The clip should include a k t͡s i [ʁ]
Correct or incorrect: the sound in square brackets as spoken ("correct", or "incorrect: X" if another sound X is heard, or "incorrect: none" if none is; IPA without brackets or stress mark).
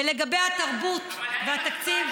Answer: incorrect: v